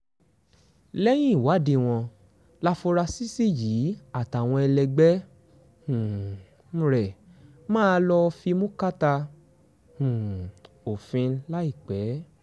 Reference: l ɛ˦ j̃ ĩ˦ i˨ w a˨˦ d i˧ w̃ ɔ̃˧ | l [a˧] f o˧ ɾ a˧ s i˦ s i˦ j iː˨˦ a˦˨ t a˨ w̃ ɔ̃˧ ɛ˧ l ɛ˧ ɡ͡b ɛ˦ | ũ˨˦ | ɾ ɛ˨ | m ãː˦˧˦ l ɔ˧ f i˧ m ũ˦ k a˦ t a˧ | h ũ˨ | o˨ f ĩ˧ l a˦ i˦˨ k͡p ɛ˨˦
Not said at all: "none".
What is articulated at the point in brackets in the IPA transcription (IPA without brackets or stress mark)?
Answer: a˧